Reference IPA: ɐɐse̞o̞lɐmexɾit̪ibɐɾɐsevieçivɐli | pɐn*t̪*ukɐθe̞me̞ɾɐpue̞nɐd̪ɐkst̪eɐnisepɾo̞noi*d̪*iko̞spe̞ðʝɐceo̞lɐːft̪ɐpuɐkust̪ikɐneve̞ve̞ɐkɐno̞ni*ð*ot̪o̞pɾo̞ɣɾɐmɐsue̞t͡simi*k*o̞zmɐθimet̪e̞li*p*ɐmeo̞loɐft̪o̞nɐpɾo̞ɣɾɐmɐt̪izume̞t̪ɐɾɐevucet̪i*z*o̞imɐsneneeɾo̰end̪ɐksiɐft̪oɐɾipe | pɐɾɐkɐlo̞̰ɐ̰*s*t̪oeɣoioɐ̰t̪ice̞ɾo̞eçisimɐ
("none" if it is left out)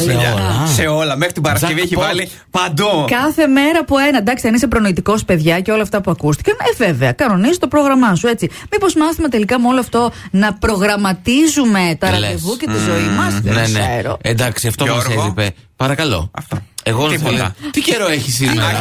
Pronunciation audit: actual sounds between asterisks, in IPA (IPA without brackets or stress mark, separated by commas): d̪, t̪, z, p, k, z, f